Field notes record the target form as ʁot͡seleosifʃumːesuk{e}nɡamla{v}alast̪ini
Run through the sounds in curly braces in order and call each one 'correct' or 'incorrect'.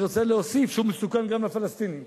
incorrect: a, incorrect: f

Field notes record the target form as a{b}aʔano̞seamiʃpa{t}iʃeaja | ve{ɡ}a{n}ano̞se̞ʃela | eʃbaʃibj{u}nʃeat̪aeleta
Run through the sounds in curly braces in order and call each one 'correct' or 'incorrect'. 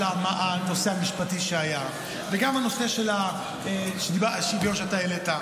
incorrect: m, correct, correct, incorrect: m, incorrect: o

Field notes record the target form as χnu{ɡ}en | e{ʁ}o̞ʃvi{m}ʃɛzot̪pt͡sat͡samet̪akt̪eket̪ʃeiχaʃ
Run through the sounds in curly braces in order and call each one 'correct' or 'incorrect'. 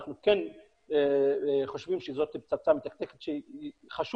incorrect: k, incorrect: χ, correct

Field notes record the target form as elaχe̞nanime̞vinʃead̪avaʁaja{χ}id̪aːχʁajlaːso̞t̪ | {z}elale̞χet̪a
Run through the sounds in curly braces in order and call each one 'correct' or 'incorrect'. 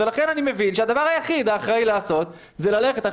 correct, correct

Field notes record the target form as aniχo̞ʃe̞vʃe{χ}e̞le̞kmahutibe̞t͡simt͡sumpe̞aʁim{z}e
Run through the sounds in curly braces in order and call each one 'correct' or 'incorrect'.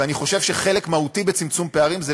correct, correct

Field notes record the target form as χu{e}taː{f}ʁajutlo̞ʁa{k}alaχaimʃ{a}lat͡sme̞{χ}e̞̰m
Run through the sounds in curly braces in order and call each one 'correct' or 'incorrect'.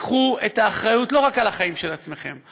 correct, incorrect: χ, correct, incorrect: e, correct

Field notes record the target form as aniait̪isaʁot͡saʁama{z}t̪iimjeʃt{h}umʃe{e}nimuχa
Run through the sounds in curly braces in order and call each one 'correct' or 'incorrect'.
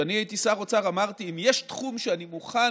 incorrect: ʁ, incorrect: χ, incorrect: a

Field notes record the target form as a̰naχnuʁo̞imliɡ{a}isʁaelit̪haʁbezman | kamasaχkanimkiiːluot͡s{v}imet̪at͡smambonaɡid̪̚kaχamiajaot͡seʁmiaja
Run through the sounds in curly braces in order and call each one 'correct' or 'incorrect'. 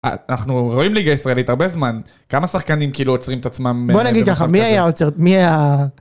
correct, incorrect: ʁ

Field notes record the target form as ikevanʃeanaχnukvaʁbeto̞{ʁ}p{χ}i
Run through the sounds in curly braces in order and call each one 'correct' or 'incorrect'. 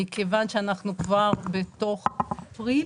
incorrect: χ, incorrect: ʁ

